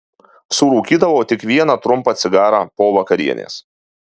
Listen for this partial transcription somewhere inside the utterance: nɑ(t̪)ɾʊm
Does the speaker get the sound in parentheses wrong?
no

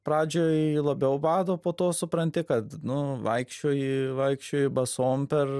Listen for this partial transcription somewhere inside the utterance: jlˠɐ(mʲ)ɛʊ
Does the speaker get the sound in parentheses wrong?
yes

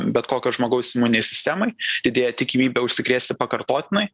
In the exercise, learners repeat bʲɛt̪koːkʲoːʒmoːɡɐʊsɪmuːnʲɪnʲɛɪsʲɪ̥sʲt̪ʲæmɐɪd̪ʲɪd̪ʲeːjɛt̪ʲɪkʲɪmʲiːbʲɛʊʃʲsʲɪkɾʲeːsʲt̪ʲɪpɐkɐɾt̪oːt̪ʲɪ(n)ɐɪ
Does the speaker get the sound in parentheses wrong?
no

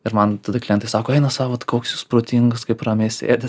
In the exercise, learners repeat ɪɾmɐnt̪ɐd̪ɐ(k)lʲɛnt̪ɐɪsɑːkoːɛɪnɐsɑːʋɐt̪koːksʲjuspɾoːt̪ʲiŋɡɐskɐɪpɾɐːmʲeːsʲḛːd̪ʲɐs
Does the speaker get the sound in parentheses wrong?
no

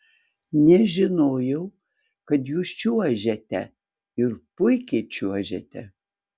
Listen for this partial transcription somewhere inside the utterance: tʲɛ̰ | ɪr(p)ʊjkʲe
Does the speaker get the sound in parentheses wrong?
no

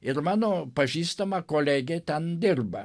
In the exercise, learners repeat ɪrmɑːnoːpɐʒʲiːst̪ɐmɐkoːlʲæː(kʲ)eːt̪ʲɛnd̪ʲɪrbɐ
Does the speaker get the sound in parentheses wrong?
yes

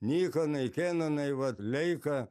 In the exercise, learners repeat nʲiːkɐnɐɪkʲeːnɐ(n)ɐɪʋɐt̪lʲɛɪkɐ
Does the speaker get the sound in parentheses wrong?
no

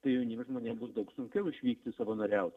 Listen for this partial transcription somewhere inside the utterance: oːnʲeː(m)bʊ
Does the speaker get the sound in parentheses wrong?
no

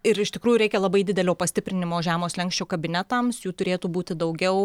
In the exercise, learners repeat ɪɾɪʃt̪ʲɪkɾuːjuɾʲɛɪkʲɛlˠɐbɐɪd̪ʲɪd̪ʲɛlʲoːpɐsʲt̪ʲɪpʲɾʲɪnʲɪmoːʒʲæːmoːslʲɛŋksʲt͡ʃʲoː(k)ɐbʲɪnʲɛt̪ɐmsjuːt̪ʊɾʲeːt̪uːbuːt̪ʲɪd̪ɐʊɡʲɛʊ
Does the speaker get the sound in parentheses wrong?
no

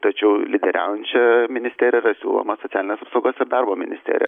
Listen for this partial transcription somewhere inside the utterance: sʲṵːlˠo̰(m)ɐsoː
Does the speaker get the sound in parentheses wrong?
no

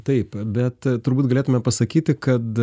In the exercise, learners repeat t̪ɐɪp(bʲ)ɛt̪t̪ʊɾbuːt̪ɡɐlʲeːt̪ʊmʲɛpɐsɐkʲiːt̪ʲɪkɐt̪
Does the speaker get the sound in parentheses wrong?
no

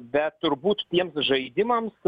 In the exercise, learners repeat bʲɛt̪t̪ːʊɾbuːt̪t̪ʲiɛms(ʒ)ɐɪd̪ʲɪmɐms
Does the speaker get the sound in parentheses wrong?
no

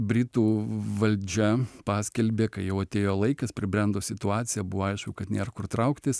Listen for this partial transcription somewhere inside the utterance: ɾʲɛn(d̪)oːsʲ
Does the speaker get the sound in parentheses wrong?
no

